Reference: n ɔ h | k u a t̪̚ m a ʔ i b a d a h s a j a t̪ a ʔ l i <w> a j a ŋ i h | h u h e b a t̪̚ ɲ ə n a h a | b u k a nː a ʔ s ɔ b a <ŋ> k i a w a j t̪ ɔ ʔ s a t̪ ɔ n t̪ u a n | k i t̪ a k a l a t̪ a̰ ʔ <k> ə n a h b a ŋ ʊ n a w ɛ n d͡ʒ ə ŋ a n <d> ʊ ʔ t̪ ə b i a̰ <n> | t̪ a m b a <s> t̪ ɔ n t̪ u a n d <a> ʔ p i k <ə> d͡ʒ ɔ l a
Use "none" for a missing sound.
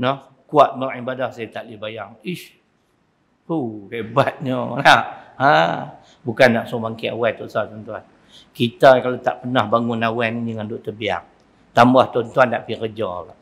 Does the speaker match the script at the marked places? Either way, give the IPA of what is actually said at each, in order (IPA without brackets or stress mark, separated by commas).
b, ŋ, p, d, ŋ, h, a, ə